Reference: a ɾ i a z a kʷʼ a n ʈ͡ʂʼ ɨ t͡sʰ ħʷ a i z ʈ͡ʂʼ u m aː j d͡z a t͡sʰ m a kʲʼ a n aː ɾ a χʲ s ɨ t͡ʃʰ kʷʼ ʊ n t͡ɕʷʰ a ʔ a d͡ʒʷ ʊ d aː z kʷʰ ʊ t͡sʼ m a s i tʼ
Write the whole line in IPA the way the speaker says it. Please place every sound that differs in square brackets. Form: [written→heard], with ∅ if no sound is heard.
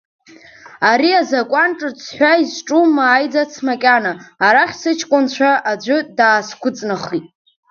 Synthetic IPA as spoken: a ɾ i a z a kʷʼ a n ʈ͡ʂʼ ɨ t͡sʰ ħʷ a i z ʈ͡ʂʼ u m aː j d͡z a t͡sʰ m a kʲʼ a n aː ɾ a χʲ s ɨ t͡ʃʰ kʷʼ ʊ n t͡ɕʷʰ a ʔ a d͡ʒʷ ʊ d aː [z→s] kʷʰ ʊ t͡sʼ [m→n] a [s→χ] i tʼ